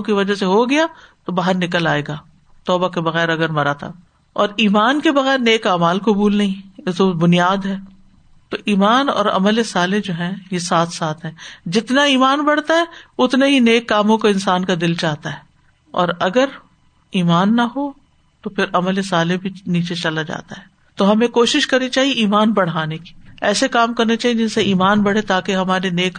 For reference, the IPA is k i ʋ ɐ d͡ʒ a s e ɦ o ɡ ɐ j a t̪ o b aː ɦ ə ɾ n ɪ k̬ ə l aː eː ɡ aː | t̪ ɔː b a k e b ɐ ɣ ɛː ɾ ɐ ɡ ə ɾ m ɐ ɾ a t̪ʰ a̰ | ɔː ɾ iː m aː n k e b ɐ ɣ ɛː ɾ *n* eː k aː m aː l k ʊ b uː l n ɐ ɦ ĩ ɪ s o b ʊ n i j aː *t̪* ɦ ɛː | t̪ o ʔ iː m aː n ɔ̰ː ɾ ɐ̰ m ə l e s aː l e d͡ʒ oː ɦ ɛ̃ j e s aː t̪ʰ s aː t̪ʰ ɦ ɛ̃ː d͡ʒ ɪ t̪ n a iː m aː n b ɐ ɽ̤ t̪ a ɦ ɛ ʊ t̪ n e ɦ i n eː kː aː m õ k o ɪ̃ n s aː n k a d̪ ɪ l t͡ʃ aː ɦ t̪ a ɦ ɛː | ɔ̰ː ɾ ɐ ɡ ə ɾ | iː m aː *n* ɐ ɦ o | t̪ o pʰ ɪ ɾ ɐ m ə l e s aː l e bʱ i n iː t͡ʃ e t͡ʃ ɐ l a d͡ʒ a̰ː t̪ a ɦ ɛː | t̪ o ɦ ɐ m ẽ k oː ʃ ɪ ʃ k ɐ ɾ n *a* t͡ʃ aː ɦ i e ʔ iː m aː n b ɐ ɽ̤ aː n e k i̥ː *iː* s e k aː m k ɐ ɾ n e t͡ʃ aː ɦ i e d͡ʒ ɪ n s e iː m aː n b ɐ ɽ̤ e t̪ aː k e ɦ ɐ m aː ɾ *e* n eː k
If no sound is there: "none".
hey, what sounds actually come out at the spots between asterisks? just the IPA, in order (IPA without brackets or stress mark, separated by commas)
n, d̪, nː, i, ɛː, e